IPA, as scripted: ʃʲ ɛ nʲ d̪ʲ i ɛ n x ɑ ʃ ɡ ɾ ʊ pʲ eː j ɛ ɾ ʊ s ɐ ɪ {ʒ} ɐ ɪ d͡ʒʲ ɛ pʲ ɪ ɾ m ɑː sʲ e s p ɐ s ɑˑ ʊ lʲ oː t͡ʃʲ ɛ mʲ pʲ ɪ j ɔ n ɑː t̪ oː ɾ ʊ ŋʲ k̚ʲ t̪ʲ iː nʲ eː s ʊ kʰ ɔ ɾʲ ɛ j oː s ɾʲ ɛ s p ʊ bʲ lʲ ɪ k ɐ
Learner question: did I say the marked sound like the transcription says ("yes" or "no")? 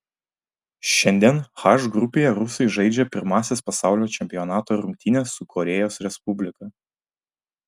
yes